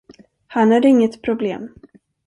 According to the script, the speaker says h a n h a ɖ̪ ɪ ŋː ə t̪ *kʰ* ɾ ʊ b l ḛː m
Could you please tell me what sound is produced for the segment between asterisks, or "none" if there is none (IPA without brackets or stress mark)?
pʰ